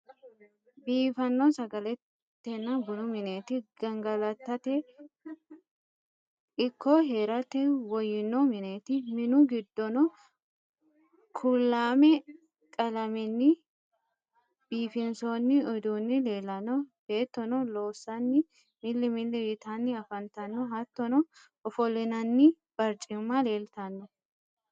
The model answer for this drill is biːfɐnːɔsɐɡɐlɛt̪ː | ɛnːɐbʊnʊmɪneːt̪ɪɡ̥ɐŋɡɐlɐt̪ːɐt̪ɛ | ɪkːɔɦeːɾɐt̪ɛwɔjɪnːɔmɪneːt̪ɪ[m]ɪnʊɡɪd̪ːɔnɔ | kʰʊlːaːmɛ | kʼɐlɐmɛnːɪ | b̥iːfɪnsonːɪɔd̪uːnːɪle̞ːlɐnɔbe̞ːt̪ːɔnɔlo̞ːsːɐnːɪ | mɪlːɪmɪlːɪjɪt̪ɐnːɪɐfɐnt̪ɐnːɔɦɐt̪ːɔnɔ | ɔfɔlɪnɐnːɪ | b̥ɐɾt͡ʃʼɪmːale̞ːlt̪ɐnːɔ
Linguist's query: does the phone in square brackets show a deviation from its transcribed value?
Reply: no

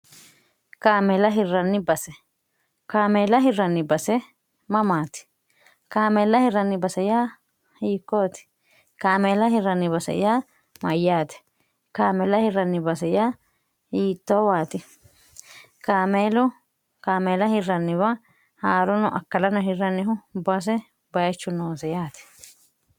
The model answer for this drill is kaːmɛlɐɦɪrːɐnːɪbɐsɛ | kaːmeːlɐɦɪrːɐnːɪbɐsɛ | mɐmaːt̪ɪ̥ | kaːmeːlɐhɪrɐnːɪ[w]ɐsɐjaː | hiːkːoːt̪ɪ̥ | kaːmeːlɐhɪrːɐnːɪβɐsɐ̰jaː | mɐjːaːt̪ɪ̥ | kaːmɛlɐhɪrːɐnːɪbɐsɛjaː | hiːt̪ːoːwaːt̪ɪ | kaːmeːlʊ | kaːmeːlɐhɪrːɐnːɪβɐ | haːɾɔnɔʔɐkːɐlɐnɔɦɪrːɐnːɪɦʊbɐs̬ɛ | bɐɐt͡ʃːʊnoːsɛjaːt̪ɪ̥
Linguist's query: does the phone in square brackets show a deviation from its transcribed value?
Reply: yes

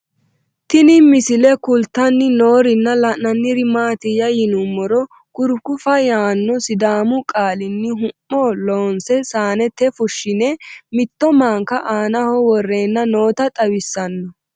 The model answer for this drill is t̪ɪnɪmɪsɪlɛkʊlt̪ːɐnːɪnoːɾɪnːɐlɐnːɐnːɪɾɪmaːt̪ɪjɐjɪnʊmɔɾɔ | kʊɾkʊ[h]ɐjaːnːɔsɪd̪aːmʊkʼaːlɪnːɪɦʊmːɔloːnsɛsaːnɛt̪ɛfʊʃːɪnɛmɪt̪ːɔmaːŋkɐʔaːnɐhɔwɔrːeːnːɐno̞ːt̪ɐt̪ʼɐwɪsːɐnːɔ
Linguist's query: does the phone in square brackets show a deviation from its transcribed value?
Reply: yes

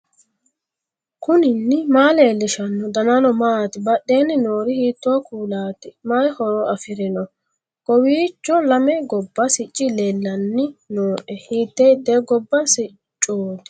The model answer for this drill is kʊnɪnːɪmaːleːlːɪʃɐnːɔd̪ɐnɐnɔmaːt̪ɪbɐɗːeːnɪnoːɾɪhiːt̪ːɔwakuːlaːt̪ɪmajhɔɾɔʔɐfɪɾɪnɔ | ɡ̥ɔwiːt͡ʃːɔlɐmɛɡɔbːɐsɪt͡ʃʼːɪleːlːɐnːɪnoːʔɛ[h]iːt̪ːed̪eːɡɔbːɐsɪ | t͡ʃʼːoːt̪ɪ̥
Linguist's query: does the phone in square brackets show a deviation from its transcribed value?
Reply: no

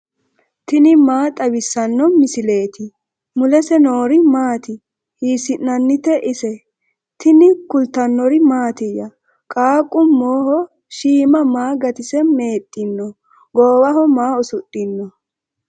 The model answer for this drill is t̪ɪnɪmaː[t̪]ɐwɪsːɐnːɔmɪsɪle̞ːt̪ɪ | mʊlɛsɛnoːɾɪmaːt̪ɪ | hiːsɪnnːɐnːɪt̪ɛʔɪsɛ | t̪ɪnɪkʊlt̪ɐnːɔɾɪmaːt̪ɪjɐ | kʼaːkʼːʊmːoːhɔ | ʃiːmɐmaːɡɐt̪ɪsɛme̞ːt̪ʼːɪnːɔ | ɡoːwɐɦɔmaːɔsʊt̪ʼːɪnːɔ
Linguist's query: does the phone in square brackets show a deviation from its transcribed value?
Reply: yes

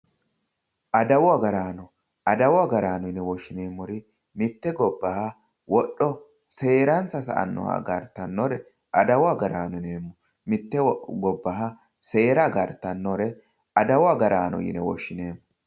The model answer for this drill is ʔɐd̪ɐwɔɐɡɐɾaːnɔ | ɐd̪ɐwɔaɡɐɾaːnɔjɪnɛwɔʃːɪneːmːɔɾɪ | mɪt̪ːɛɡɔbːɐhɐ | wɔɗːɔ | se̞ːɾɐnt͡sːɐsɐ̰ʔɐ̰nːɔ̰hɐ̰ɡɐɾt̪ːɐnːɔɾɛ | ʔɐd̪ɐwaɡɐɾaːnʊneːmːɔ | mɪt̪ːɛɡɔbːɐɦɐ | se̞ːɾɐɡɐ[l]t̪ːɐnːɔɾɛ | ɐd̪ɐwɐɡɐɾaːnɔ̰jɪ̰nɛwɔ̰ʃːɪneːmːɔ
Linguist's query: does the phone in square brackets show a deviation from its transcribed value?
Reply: yes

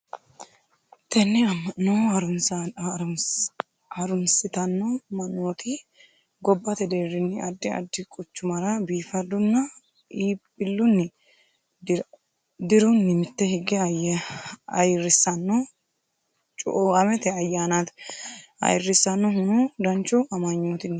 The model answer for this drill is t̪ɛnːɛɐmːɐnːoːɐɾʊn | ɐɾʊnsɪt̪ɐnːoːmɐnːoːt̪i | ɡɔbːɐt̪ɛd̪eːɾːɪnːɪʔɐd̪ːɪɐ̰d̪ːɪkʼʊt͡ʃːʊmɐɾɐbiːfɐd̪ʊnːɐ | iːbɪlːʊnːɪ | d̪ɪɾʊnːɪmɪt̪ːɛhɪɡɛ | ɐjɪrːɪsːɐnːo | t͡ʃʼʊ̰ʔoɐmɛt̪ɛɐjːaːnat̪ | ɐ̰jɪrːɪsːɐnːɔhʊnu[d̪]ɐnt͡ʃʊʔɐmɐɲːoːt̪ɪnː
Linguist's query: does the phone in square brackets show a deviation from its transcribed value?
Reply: no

